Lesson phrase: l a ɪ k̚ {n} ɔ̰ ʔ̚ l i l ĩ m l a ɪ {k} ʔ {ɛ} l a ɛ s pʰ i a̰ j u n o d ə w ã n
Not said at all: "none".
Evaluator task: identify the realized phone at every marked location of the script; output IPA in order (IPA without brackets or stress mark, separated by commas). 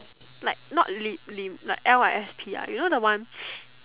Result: n, k, ɛ